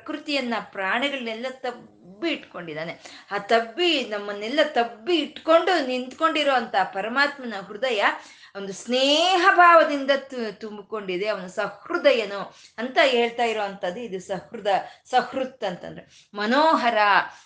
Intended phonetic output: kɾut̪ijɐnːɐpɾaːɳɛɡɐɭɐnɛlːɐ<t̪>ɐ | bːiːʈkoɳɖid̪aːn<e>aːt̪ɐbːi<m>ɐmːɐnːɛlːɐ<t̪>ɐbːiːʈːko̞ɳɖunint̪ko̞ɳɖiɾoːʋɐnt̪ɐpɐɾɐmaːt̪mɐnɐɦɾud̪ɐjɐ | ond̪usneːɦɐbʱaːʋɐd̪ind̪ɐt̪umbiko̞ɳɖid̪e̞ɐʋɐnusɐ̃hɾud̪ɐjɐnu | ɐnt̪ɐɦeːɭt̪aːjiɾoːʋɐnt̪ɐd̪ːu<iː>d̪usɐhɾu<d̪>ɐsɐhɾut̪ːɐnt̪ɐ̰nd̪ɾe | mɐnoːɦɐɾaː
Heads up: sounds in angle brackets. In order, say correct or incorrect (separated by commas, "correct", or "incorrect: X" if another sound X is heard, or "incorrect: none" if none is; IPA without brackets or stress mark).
correct, correct, incorrect: n, correct, incorrect: i, correct